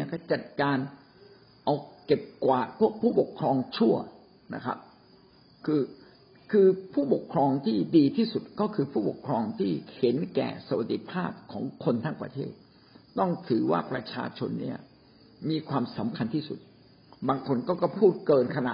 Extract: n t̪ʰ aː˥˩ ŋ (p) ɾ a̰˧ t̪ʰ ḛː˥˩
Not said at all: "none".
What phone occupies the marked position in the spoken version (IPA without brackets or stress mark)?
p